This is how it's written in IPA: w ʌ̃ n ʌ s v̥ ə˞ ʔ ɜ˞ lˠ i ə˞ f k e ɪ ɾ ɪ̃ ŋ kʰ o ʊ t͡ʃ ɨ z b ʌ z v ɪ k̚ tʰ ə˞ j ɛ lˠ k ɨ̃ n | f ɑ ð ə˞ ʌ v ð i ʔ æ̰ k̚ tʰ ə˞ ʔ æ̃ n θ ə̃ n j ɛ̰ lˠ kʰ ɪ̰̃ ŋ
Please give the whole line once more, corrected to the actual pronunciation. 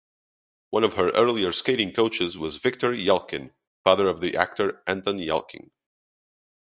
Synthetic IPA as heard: w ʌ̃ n ʌ v̥ ə˞ ʔ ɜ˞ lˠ i ə˞ s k e ɪ ɾ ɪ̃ ŋ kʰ o ʊ t͡ʃ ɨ z w ʌ z v ɪ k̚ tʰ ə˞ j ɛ lˠ k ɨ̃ n | f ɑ ð ə˞ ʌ v ð i ʔ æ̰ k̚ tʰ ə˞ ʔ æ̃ n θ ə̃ n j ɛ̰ lˠ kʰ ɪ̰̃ ŋ